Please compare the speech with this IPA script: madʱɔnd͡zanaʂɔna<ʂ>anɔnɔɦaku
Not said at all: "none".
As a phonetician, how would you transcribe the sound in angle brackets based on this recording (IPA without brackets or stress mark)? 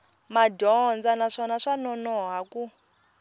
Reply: ʂ